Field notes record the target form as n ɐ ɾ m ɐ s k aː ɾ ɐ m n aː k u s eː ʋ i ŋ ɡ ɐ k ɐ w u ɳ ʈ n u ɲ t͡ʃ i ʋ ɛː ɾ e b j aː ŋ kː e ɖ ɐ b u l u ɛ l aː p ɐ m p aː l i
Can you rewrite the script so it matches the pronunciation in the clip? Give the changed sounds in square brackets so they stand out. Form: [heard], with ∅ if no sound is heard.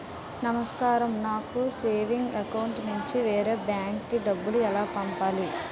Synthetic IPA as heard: n ɐ [∅] m ɐ s k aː ɾ ɐ m n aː k u s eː ʋ i ŋ ɡ ɐ k ɐ w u ɳ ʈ n u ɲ t͡ʃ i ʋ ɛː ɾ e b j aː ŋ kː [i] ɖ ɐ [bː] u l u ɛ l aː p ɐ m p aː l i